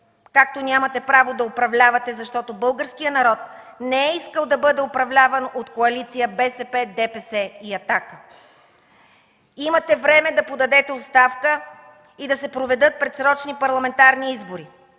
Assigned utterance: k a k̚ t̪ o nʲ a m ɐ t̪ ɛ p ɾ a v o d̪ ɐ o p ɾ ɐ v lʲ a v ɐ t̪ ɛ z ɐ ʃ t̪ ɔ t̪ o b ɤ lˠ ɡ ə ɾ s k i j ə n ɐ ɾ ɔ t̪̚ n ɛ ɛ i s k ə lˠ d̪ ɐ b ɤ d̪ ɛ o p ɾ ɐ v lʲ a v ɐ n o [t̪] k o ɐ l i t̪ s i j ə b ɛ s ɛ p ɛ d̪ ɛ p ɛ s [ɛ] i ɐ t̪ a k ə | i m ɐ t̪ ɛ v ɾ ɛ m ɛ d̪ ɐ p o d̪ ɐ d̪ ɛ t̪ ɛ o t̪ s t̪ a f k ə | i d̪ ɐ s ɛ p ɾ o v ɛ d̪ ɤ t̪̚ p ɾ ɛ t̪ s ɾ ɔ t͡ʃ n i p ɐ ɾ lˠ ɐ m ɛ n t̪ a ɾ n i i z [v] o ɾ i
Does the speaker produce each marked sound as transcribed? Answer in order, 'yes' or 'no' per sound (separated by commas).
yes, yes, no